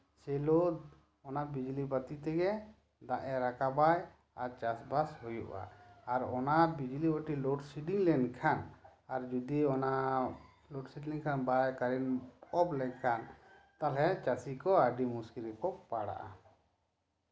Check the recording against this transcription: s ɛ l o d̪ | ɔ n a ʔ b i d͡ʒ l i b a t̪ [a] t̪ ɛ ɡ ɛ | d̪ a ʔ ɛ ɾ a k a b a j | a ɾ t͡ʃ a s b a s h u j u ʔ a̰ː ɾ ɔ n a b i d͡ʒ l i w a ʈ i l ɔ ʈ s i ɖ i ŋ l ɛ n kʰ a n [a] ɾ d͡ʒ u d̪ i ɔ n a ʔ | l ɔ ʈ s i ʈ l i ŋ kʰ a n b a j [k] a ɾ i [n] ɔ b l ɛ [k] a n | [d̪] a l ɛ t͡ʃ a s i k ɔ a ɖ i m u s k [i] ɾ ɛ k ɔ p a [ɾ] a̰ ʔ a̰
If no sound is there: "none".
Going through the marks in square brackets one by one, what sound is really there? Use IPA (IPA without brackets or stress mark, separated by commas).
i, a, k, n, kʰ, t̪, i, ɽ